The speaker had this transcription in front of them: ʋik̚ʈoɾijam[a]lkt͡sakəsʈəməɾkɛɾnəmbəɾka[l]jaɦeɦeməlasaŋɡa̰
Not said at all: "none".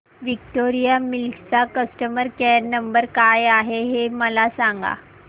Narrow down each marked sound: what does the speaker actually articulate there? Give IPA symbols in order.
i, none

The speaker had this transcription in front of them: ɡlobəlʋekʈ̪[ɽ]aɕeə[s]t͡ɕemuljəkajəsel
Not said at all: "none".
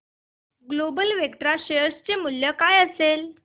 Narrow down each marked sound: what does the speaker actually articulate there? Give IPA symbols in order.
ɾ, s

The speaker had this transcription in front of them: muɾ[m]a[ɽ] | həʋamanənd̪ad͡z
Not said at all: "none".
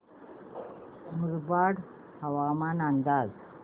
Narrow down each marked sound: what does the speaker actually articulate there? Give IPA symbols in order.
b, ɽ

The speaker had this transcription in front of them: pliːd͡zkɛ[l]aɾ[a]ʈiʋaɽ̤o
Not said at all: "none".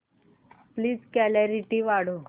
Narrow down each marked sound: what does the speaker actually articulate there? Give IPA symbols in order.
l, i

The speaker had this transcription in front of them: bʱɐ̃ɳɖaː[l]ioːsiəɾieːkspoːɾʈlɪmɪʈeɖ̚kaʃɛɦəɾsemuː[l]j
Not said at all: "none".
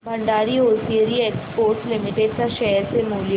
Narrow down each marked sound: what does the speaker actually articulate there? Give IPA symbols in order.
ɾ, l

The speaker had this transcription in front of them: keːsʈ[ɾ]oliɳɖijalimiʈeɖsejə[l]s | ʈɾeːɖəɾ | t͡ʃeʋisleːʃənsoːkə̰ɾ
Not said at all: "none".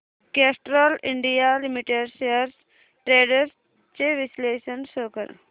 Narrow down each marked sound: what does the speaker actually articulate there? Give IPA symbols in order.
ɾ, ɾ

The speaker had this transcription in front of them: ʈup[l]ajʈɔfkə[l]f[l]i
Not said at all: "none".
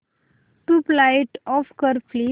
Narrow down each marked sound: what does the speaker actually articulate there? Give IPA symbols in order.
l, ɾ, l

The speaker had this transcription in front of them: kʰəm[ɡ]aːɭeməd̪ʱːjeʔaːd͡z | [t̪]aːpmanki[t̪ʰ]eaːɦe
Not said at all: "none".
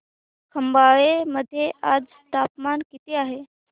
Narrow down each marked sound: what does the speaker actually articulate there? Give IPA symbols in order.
b, t̪, t̪

